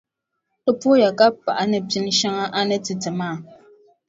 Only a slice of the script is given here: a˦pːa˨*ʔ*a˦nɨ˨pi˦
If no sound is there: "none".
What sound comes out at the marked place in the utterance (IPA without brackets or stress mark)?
ʔ